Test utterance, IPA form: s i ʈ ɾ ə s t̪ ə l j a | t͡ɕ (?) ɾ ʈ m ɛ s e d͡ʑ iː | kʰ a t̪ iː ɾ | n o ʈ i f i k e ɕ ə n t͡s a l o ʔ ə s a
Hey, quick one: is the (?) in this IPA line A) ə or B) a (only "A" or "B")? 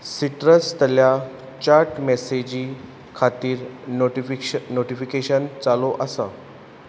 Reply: B